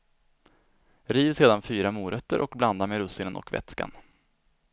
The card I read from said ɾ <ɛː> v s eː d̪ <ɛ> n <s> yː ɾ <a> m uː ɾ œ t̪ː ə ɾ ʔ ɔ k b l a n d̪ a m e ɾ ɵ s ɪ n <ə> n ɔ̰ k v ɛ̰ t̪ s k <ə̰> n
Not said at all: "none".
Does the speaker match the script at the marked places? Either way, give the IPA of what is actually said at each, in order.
iː, a, f, a, ə, a̰

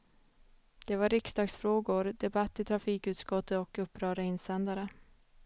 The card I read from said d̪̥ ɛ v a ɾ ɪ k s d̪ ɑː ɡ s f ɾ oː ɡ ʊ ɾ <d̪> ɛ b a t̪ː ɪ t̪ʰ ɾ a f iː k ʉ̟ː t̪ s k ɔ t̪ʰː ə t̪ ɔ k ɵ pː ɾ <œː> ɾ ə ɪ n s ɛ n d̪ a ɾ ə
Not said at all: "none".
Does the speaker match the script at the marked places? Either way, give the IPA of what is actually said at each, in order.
d̪, œː

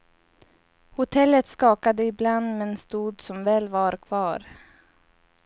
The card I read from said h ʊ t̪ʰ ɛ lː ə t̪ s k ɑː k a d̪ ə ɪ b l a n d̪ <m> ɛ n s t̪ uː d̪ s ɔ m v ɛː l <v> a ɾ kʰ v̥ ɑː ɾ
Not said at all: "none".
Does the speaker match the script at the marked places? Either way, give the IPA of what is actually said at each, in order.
m, v

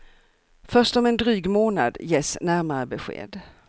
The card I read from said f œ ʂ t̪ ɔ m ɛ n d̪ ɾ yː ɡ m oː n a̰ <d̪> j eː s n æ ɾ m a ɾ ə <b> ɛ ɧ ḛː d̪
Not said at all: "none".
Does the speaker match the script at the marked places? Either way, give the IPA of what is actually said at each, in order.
d̪, b

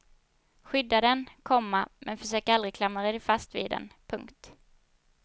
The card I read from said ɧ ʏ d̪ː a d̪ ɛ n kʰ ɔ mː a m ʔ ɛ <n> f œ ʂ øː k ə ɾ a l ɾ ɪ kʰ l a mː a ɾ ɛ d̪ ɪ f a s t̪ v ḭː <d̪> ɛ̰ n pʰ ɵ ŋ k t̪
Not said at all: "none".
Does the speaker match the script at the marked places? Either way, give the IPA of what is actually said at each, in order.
n, d̪

